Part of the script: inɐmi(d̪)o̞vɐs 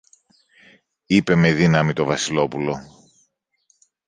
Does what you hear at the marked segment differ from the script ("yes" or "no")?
yes